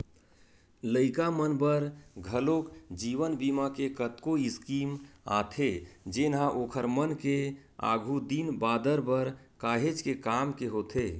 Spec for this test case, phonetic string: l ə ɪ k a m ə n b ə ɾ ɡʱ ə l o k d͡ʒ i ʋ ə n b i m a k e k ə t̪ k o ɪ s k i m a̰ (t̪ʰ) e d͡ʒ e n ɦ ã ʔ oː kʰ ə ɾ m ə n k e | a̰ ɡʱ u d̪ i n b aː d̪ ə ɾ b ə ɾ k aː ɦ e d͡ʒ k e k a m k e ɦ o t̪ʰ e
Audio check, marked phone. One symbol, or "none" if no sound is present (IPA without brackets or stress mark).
t̪ʰ